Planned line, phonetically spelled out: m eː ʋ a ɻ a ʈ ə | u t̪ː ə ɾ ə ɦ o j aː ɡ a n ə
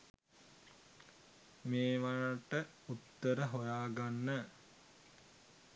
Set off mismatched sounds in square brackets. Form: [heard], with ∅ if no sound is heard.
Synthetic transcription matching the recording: m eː ʋ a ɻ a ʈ ə | u t̪ː ə ɾ ə ɦ o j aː ɡ a [nː] ə